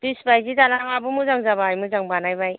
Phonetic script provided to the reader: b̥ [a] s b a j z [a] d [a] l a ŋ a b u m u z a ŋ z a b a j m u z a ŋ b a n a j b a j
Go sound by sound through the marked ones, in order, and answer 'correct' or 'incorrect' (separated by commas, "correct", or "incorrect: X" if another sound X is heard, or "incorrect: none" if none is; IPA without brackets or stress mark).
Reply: incorrect: i, incorrect: i, correct